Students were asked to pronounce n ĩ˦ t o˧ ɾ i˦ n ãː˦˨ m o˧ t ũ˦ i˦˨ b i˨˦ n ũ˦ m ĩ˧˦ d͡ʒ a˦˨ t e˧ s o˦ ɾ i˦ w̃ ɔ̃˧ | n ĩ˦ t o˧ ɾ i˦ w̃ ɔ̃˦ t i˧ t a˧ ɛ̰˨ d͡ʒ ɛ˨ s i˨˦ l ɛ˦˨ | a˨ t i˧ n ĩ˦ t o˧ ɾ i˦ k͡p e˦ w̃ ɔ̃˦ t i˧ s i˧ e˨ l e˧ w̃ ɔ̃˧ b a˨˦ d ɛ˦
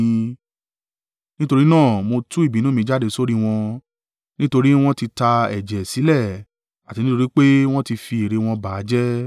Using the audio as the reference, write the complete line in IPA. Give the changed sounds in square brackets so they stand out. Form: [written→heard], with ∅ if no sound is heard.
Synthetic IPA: n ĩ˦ t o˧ ɾ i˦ n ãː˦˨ m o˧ t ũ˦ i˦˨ b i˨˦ n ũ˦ m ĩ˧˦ d͡ʒ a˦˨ [t→d] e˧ s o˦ ɾ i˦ w̃ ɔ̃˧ | n ĩ˦ t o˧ ɾ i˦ w̃ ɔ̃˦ t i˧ t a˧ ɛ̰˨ d͡ʒ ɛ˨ s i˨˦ l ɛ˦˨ | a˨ t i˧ n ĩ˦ t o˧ ɾ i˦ k͡p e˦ w̃ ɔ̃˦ t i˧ [s→f] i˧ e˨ [l→ɾ] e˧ w̃ ɔ̃˧ b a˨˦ [d→d͡ʒ] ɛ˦